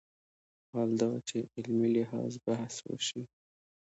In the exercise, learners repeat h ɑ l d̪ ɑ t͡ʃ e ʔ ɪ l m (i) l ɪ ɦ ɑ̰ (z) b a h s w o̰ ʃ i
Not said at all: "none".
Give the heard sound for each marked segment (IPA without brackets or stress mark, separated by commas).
i, z